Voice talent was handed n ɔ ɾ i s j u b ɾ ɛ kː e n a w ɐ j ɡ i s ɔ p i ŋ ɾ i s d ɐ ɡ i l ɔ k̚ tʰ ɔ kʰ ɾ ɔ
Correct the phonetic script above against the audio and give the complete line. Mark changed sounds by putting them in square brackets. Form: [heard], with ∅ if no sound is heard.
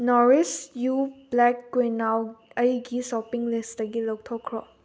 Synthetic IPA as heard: n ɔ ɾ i s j u b [l] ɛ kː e n a w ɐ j ɡ i s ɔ p i ŋ [l] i s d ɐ ɡ i l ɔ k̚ tʰ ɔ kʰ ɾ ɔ